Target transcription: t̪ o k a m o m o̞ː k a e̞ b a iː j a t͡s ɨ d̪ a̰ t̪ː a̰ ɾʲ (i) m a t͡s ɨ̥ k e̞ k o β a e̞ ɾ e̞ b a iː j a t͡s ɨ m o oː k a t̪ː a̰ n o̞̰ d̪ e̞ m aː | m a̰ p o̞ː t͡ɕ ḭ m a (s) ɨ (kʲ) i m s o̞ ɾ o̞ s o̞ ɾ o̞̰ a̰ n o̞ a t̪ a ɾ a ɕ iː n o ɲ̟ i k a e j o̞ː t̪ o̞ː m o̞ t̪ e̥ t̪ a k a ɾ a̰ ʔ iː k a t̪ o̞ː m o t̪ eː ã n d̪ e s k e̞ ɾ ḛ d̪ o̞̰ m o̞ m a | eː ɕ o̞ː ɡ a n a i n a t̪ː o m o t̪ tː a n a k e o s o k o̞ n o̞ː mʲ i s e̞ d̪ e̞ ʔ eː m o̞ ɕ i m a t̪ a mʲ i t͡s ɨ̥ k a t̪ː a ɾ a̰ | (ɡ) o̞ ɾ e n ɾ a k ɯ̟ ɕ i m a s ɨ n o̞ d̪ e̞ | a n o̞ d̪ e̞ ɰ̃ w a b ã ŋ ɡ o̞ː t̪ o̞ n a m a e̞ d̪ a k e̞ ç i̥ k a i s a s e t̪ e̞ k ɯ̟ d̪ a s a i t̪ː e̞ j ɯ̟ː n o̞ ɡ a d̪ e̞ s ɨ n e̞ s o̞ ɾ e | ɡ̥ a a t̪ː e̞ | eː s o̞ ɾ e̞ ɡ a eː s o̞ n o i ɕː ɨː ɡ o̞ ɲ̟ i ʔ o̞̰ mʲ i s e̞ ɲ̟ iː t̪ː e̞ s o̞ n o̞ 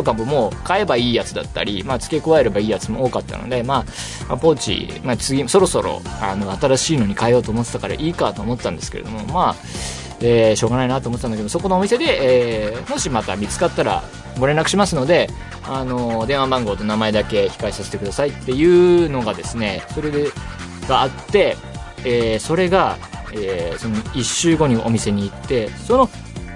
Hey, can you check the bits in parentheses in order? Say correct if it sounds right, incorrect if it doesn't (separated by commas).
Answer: correct, incorrect, incorrect, correct